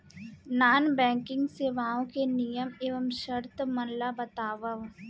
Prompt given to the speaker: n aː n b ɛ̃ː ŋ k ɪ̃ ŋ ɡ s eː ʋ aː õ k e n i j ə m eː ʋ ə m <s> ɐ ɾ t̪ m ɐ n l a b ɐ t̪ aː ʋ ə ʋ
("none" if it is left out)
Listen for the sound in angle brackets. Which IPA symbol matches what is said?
ʃ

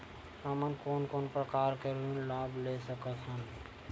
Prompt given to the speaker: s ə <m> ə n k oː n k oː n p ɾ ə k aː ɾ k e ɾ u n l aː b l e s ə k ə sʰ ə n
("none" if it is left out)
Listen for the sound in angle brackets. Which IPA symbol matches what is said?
m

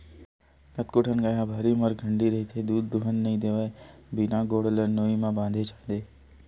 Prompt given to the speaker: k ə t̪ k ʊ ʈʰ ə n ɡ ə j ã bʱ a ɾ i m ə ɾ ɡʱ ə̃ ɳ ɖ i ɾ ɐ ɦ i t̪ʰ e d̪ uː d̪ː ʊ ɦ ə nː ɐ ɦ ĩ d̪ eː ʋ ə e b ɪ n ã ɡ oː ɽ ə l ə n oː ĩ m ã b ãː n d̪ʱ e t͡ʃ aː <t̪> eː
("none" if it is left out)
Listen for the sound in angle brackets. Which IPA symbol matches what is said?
d̪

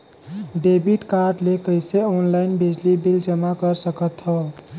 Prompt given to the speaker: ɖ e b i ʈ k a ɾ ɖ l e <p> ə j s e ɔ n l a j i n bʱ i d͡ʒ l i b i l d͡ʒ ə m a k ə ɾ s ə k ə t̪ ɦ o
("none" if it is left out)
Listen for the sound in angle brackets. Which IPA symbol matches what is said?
k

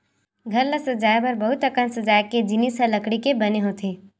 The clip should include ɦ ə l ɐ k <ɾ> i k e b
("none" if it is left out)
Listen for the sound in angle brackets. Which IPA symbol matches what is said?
ɽ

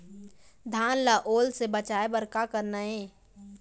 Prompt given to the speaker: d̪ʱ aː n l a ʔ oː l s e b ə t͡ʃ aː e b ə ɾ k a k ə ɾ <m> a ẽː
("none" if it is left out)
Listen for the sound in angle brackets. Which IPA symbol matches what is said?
n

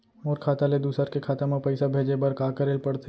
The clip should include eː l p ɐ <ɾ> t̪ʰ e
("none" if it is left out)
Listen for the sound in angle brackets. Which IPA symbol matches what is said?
ɽ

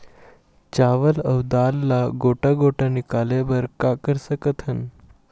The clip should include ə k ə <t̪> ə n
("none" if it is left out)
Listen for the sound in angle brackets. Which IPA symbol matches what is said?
t̪ʰ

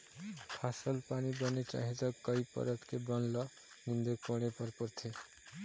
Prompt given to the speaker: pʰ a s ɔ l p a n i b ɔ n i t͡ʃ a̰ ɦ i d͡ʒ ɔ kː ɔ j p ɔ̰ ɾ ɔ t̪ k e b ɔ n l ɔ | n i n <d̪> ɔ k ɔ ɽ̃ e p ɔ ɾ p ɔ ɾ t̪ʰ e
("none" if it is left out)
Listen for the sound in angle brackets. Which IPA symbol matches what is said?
d̪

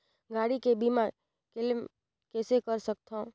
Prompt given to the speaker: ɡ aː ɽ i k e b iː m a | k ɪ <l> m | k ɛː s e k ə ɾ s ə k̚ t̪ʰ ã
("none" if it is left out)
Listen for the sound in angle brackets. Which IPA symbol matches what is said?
l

